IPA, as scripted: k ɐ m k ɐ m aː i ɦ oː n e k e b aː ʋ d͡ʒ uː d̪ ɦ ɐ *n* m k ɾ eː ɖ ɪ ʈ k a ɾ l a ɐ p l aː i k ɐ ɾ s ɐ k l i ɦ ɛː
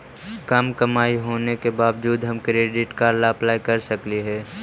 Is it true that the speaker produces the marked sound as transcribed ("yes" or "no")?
no